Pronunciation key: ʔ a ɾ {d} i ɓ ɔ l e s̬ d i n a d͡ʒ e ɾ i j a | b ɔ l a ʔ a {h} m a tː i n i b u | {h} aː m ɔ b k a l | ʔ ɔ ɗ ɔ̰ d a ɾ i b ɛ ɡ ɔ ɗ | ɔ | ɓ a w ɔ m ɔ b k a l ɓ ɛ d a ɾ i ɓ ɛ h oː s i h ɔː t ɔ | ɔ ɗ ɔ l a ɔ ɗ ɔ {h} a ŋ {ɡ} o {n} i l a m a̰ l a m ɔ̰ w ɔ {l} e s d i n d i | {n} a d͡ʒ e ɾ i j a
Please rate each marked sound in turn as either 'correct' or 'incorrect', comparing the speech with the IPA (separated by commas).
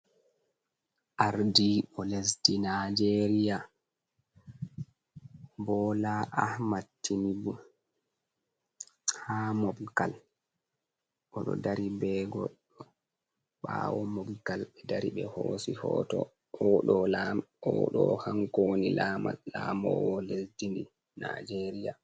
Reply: correct, correct, correct, correct, incorrect, correct, correct, correct